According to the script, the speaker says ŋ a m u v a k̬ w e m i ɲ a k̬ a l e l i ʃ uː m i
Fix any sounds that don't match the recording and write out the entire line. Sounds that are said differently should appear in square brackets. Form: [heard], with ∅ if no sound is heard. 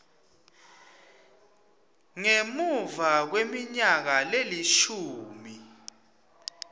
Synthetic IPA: ŋ [e] m u v a k̬ w e m i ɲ a k̬ a l e l i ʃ uː m i

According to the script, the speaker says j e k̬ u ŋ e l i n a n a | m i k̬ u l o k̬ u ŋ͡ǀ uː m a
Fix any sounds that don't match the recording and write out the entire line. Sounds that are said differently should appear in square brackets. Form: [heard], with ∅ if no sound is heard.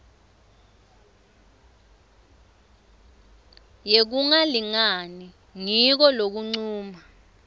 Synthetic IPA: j e k̬ u ŋ [a] l i [ŋ] a n [i] | [ŋ] i k̬ [ɔ] l o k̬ u ŋ͡ǀ uː m a

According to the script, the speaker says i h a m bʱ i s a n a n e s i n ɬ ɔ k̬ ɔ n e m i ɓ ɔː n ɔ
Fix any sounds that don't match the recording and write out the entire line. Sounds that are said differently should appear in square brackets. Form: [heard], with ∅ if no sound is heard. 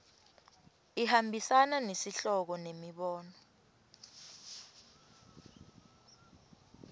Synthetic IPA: i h a m bʱ i s a n a n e s i [∅] ɬ ɔ k̬ ɔ n e m i ɓ ɔː n ɔ

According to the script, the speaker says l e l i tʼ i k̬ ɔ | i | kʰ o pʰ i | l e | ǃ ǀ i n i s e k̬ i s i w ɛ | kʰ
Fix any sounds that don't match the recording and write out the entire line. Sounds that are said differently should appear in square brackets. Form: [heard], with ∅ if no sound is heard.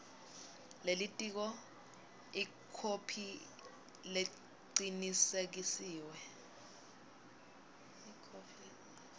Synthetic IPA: l e l i tʼ i k̬ ɔ | i | kʰ o pʰ i | l e | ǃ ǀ i n i s e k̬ i s [iː] w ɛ | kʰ

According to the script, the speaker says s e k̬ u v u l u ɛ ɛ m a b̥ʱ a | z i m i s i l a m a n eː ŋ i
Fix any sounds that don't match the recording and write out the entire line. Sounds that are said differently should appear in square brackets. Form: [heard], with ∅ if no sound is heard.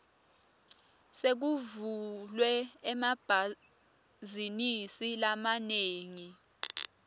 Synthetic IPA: s e k̬ u v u l [w] ɛ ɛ m a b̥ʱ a | z i [n] i s i l a m a n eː ŋ i

